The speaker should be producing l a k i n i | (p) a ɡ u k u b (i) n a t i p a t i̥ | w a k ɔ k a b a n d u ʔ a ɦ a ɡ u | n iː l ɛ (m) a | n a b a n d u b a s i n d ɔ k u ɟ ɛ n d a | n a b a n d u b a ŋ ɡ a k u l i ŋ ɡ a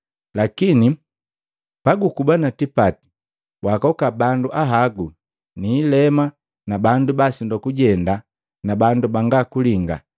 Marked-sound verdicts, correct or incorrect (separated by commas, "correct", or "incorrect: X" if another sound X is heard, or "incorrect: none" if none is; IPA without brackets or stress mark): correct, incorrect: a, correct